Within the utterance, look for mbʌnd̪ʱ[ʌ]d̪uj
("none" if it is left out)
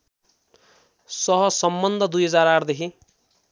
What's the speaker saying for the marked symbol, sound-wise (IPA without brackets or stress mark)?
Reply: ʌ